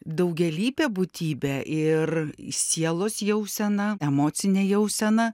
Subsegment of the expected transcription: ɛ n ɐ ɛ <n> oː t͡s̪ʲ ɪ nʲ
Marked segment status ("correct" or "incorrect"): incorrect